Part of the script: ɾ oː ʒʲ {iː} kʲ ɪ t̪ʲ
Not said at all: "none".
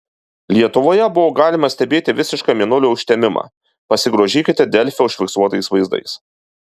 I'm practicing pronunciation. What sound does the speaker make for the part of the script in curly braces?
iː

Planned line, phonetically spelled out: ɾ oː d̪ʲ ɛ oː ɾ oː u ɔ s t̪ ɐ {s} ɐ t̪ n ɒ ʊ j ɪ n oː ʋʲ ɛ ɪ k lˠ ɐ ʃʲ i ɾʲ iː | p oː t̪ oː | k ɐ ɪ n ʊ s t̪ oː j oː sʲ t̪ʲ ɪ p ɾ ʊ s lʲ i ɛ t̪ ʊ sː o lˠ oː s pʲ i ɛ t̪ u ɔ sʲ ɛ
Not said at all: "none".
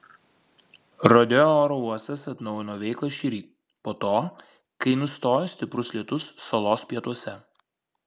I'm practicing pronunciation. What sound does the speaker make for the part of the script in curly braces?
s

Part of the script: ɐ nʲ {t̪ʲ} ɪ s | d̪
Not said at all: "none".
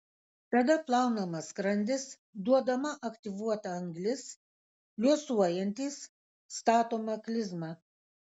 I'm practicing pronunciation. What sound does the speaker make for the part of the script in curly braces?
d̪ʲ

